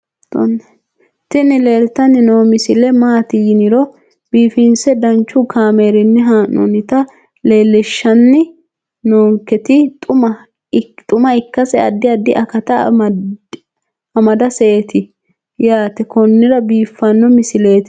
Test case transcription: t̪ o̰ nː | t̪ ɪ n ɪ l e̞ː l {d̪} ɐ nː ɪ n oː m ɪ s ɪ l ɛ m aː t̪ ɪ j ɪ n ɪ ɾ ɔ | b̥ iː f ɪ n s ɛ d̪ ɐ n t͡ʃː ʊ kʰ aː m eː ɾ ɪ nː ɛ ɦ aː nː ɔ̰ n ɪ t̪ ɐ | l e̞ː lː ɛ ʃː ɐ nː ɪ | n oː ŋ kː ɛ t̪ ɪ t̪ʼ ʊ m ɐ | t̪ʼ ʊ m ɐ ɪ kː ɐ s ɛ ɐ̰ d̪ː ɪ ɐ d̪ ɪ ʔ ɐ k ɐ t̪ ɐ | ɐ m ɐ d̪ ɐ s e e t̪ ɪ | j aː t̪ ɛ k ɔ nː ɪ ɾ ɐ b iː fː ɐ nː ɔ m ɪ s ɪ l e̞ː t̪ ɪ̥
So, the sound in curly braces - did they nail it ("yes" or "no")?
no